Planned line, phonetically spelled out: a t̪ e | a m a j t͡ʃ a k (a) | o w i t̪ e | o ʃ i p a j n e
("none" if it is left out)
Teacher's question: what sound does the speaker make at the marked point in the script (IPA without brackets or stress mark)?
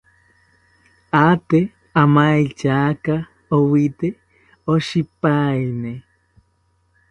a